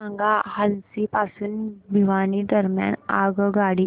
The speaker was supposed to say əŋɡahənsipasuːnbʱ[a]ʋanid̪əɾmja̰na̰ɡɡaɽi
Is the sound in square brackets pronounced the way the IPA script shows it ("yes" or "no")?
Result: no